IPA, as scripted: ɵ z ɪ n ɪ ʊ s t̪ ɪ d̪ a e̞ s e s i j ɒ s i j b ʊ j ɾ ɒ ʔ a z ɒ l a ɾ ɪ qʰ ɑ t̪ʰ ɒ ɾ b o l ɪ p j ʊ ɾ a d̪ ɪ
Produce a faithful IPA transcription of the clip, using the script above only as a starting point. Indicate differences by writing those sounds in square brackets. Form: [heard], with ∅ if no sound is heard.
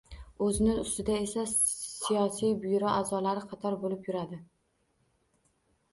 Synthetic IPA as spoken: ɵ z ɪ n ɪ ʊ s t̪ ɪ d̪ a e̞ s [a] s i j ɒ s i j b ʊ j ɾ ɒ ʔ a z ɒ l a ɾ ɪ qʰ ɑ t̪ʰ ɒ ɾ b o l ɪ p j ʊ ɾ a d̪ ɪ